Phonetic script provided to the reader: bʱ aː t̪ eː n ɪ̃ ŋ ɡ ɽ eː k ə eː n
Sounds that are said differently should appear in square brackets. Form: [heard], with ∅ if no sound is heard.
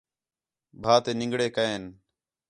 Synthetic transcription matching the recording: bʱ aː t̪ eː n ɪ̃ ŋ ɡ ɽ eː k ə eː n